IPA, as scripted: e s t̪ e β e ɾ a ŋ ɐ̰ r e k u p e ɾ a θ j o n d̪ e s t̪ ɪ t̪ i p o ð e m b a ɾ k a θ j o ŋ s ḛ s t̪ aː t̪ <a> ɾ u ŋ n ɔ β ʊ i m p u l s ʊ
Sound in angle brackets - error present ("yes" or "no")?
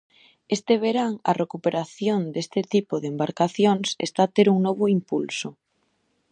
yes